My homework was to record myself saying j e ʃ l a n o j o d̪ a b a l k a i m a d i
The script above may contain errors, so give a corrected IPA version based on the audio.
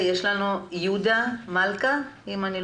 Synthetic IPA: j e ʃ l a n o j u d̪ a m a l k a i m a n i

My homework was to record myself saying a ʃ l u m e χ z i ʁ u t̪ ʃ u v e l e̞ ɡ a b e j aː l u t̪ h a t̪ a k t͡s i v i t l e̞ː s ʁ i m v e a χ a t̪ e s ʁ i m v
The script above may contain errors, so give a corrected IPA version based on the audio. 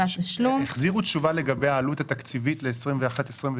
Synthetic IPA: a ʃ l u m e χ z i ʁ u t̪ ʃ u v a l e̞ ɡ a b e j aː l u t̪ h a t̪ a k t͡s i v i t l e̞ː s ʁ i m v e a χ a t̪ e s ʁ i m v

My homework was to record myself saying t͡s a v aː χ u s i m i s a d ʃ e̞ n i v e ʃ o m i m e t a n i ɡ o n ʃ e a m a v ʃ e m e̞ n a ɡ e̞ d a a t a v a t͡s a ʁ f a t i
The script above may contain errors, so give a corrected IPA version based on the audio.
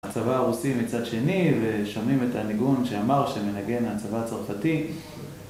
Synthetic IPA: t͡s a v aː ʁ u s i m i t͡s a d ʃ e̞ n i v e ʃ o m i m e t a n i ɡ u n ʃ e a m a ʁ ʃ e m e̞ n a ɡ e̞ n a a t͡s a v a t͡s a ʁ f a t i

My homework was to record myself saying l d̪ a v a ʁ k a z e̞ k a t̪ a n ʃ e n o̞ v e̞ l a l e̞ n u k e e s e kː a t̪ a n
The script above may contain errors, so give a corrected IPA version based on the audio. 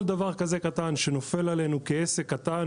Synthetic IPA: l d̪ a v a ʁ k a z e̞ k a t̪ a n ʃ e n o̞ f e̞ l a l e̞ n u k e e s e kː a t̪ a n

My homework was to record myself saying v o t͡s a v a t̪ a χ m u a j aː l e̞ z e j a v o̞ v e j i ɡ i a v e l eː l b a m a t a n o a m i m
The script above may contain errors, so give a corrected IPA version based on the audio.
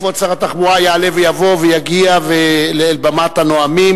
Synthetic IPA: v o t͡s a ʁ a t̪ a χ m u a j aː l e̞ v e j a v o̞ v e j a ɡ i a v e l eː l b a m a t a n o a m i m

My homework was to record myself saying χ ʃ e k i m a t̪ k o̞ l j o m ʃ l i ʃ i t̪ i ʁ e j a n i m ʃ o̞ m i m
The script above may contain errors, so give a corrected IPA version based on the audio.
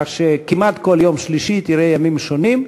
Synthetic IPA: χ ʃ e k i m a t̪ k o̞ l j o m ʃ l i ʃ i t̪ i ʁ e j a m i m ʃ o̞ n i m

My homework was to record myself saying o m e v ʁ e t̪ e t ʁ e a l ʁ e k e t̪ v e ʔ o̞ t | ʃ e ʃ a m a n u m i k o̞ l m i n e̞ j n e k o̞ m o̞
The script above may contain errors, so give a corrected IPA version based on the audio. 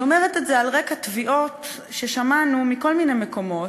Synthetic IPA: o m e ʁ e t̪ e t z e a l ʁ e k a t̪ v i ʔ o̞ t | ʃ e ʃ a m a n u m i k o̞ l m i n e̞ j m e k o̞ m o̞

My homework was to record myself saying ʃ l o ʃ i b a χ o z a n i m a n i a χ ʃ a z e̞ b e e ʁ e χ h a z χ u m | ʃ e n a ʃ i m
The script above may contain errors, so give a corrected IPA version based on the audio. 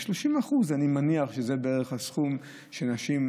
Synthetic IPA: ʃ l o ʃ i m a χ u z a n i m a n i a χ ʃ e z e̞ b e e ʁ e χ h a s χ u m | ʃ e n a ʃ i m

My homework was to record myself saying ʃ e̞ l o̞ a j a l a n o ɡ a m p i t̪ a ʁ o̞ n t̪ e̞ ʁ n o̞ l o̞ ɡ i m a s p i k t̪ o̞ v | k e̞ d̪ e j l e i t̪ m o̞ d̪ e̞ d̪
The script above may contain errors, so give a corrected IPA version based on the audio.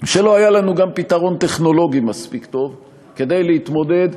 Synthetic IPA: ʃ e̞ l o̞ a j a l a n u ɡ a m p i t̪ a ʁ o̞ n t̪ e̞ χ n o̞ l o̞ ɡ i m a s p i k t̪ o̞ v | k e̞ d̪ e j l e i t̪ m o̞ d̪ e̞ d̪

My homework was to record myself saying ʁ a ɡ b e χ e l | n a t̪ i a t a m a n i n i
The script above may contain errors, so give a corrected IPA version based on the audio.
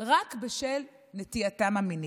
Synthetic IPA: ʁ a k b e ʃ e l | n e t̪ i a t a m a m i n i

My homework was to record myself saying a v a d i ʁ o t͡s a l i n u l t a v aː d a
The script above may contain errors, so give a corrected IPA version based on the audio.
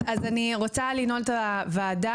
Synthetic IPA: a z a n i ʁ o t͡s a l i n o l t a v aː d a

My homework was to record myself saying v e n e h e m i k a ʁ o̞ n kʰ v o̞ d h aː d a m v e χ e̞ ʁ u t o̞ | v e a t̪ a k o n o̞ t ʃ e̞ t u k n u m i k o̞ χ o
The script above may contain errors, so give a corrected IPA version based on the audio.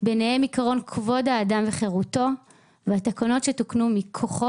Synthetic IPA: b e n e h e m i k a ʁ o̞ n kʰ v o̞ d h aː d a m v e χ e̞ ʁ u t o̞ | v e a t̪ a k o n o̞ t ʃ e̞ t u k n u m i kʰ o̞ χ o

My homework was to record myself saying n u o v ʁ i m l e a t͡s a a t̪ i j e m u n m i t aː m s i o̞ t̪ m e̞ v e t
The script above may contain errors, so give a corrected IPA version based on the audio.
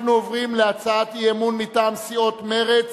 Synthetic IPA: n u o v ʁ i m l e a t͡s a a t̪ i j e m u n m i t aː m s i o̞ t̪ m e̞ ʁ e t͡s

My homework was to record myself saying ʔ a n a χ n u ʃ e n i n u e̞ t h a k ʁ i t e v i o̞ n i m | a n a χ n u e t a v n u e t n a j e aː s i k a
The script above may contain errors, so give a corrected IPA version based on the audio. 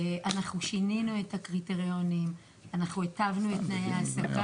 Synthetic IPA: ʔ a n a χ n u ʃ i n i n u e̞ t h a k ʁ i t e ʁ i o̞ n i m | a n a χ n u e t a v n u e t n a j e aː s a k a

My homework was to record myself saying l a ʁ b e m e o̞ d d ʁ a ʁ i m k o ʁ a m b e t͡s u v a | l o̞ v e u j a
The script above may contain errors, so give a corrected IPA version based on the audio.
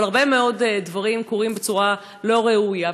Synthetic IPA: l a ʁ b e m e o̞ d d v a ʁ i m k o ʁ i m b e t͡s u ʁ a | l o̞ ʁ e u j a

